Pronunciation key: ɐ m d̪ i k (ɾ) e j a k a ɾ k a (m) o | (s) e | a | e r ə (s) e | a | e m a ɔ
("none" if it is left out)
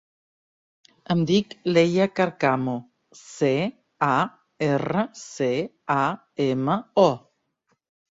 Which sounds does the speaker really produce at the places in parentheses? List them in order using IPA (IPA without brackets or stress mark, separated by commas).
l, m, s, s